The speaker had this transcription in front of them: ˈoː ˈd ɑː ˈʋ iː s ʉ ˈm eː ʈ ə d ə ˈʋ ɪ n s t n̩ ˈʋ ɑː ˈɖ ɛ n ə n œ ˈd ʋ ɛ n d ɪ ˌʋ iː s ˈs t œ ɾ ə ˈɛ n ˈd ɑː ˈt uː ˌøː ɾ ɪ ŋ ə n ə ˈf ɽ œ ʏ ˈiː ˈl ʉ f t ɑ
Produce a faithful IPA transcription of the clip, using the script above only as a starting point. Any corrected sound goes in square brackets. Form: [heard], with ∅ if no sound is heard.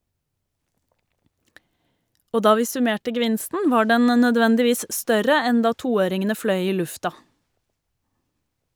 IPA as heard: ˈoː ˈd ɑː ˈʋ iː s ʉ ˈm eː ʈ ə [ɡ] ə ˈʋ ɪ n s t n̩ ˈʋ ɑː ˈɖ ɛ n ə n œ ˈd ʋ ɛ n d ɪ ˌʋ iː s ˈs t œ ɾ ə ˈɛ n ˈd ɑː ˈt uː ˌøː ɾ ɪ ŋ ə n ə ˈf ɽ œ ʏ ˈiː ˈl ʉ f t ɑ